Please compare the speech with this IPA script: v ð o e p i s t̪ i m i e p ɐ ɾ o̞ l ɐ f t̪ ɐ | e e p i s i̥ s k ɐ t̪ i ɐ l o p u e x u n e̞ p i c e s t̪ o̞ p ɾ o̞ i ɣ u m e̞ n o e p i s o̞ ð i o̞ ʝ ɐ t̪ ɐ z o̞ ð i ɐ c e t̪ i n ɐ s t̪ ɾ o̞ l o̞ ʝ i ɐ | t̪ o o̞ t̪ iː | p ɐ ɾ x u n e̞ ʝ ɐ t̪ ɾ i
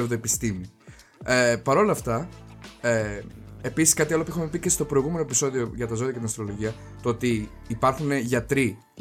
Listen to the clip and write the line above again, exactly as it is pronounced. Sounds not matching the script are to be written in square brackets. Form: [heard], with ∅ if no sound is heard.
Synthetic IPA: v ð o e p i s t̪ i m i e p ɐ ɾ o̞ l ɐ f t̪ ɐ | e e p i s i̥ s k ɐ t̪ i ɐ l o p u e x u [m] e̞ p i c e s t̪ o̞ p ɾ o̞ i ɣ u m e̞ n o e p i s o̞ ð i o̞ ʝ ɐ t̪ ɐ z o̞ ð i ɐ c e t̪ i n ɐ s t̪ ɾ o̞ l o̞ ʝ i ɐ | t̪ o o̞ t̪ iː | p ɐ ɾ x u n e̞ ʝ ɐ t̪ ɾ i